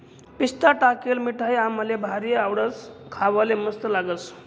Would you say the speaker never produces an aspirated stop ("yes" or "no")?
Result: no